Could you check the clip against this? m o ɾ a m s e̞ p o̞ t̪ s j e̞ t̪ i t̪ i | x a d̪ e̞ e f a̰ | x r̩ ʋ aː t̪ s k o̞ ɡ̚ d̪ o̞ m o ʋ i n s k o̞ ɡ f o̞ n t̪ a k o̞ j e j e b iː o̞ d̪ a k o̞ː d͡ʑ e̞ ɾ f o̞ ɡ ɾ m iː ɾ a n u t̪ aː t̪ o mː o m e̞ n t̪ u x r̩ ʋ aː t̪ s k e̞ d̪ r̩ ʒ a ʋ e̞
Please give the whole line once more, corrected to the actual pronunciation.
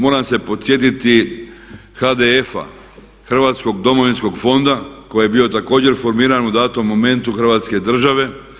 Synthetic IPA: m o ɾ a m s e̞ p o̞ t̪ s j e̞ t̪ i t̪ i | x a d̪ e̞ e f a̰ | x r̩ ʋ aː t̪ s k o̞ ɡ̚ d̪ o̞ m o ʋ i n s k o̞ ɡ f o̞ n d̪ a k o̞ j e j e b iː o̞ t̪ a k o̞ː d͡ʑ e̞ ɾ f o̞ ɾ m iː ɾ a n u d̪ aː t̪ o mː o m e̞ n t̪ u x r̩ ʋ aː t̪ s k e̞ d̪ r̩ ʒ a ʋ e̞

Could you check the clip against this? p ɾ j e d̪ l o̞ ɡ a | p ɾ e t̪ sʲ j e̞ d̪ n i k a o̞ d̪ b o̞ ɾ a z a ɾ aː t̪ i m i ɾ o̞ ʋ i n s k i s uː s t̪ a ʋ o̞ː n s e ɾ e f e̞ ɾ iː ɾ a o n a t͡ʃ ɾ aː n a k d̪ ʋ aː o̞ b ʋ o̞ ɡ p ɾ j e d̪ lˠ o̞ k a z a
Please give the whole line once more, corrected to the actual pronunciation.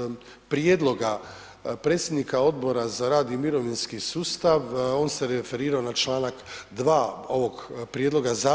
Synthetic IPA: p ɾ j e d̪ l o̞ ɡ a | p ɾ e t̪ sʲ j e̞ d̪ n i k a o̞ d̪ b o̞ ɾ a z a ɾ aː d̪ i m i ɾ o̞ ʋ i n s k i s uː s t̪ a ʋ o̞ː n s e ɾ e f e̞ ɾ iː ɾ a o n a t͡ʃ l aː n a k d̪ ʋ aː o̞ ʋ o̞ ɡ p ɾ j e d̪ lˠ o̞ ɡ a z a

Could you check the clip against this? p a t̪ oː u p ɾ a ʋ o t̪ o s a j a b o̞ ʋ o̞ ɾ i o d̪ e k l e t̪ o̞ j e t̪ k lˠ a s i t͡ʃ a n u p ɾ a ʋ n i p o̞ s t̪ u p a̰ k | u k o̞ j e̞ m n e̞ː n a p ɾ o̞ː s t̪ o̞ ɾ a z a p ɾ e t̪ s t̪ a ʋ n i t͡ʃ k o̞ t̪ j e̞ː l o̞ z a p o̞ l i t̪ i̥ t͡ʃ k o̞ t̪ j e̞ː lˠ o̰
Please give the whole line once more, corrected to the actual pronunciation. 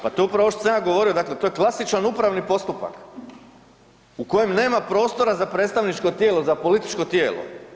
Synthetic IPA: p a t̪ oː u p ɾ a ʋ o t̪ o s a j a ɡ o̞ ʋ o̞ ɾ i o d̪ a k l e t̪ o̞ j e k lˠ a s i t͡ʃ a n u p ɾ a ʋ n i p o̞ s t̪ u p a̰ k | u k o̞ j e̞ m n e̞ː m a p ɾ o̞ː s t̪ o̞ ɾ a z a p ɾ e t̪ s t̪ a ʋ n i t͡ʃ k o̞ t̪ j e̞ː l o̞ z a p o̞ l i t̪ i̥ t͡ʃ k o̞ t̪ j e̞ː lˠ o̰

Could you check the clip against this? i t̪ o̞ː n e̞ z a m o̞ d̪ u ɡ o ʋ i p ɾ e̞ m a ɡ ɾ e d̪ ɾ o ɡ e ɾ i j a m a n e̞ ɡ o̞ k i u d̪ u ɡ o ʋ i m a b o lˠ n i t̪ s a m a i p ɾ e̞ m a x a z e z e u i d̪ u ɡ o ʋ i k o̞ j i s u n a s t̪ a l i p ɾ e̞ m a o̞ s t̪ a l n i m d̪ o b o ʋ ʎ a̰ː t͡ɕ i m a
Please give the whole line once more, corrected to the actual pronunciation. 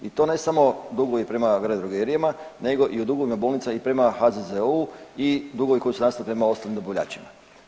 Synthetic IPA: i t̪ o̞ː n e̞ s a m o̞ d̪ u ɡ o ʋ i p ɾ e̞ m a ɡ ɾ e d̪ ɾ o ɡ e ɾ i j a m a n e̞ ɡ o̞ ʔ i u d̪ u ɡ o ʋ i m a b o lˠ n i t̪ s a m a i p ɾ e̞ m a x a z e z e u i d̪ u ɡ o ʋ i k o̞ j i s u n a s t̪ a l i p ɾ e̞ m a o̞ s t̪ a l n i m d̪ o b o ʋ ʎ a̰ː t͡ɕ i m a

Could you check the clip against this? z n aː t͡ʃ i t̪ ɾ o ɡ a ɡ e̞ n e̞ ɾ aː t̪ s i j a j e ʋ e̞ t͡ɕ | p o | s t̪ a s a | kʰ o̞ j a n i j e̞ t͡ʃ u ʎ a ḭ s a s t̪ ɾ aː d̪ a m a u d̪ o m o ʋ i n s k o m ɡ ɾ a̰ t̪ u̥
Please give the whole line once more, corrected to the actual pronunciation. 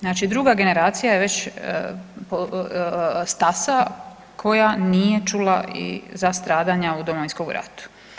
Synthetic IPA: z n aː t͡ʃ i d̪ ɾ u ɡ a ɡ e̞ n e̞ ɾ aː t̪ s i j a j e ʋ e̞ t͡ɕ | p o | s t̪ a s a | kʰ o̞ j a n i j e̞ t͡ʃ u l a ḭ z a s t̪ ɾ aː d̪ a ɲ a u d̪ o m o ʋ i n s k o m ɡ ɾ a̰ t̪ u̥

